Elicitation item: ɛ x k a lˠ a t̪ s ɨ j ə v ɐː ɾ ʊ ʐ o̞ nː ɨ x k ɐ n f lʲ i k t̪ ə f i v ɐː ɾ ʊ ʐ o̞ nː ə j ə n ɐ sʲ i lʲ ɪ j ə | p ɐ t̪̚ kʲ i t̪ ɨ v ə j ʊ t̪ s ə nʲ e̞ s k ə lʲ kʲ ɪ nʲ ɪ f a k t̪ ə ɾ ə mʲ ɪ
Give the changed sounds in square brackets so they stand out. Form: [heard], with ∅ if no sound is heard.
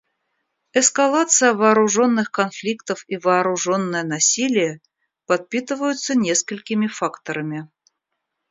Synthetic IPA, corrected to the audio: ɛ [s] k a lˠ a t̪ s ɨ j ə v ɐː ɾ ʊ ʐ o̞ nː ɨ x k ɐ n f lʲ i k t̪ ə f i v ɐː ɾ ʊ ʐ o̞ nː ə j ə n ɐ sʲ i lʲ ɪ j ə | p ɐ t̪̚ [pʲ] i t̪ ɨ v ə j ʊ t̪ s ə nʲ e̞ s k ə lʲ kʲ ɪ [mʲ] ɪ f a k t̪ ə ɾ ə mʲ ɪ